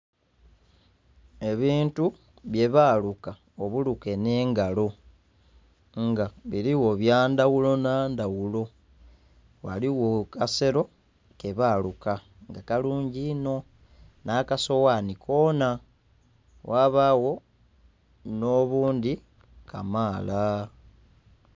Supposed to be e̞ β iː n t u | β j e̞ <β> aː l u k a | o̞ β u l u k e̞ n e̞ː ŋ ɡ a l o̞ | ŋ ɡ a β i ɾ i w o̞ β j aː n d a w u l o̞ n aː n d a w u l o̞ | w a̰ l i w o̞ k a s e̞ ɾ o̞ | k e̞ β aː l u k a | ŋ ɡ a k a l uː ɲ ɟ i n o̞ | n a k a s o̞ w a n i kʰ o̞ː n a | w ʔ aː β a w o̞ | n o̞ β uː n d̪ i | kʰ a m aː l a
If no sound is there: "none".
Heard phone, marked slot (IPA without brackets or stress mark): β